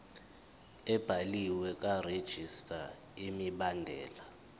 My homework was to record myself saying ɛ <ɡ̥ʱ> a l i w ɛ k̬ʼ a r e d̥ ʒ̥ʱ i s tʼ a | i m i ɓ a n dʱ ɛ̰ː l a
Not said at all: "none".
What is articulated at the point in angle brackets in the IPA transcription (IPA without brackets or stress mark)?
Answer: b̥ʱ